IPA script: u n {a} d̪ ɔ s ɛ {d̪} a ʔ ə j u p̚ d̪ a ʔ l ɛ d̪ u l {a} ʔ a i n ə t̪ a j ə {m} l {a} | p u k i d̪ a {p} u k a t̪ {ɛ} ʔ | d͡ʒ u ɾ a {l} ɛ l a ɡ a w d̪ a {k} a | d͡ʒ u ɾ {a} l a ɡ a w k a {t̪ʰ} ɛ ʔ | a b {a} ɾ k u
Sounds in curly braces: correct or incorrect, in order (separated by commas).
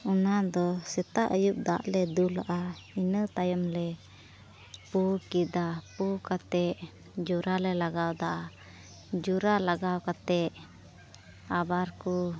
correct, incorrect, correct, correct, incorrect, correct, correct, correct, incorrect, correct, incorrect, correct